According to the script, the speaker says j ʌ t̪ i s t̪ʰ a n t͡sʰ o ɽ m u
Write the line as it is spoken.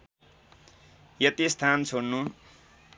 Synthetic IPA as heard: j ʌ t̪ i s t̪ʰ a n t͡sʰ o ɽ n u